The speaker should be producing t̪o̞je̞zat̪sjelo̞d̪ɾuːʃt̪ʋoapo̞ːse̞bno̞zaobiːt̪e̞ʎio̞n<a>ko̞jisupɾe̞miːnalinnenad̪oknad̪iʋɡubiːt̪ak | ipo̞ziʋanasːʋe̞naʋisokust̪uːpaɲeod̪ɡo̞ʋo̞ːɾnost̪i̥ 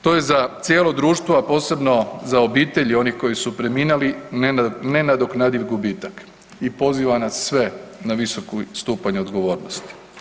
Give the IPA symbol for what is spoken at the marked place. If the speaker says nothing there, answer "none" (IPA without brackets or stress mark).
i